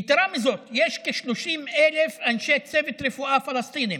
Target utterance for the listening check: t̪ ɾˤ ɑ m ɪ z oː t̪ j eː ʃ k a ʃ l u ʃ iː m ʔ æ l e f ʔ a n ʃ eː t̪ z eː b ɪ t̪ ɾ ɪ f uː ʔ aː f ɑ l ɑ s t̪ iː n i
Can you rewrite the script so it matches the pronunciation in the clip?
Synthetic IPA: t̪ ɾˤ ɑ m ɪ z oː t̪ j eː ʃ k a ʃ l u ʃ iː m ʔ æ l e f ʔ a n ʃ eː t̪ s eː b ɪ t̪ ɾ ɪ f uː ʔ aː f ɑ l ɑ s t̪ iː n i